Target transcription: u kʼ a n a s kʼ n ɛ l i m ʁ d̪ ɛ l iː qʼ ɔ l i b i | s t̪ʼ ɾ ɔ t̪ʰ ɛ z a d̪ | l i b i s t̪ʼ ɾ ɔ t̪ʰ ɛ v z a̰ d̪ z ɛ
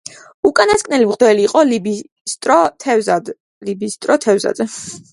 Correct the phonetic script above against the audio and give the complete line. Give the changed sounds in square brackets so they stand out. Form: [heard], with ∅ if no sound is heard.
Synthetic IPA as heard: u kʼ a n a s kʼ n ɛ l i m ʁ d̪ ɛ l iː qʼ ɔ l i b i | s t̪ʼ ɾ ɔ t̪ʰ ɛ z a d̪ | l i b i s t̪ʼ ɾ ɔ t̪ʰ ɛ v z a̰ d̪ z ɛ